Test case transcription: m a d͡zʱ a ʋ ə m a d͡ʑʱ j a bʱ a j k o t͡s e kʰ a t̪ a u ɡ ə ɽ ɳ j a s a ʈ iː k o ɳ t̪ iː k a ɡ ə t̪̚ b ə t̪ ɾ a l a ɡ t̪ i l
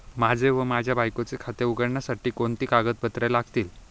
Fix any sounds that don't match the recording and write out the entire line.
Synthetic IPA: m a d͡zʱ e ʋ ə m a d͡ʑʱ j a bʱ a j k o t͡s e kʰ a t̪ e u ɡ ə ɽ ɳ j a s a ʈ iː k o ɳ t̪ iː k a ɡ ə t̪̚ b ə t̪ ɾ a l a ɡ t̪ iː l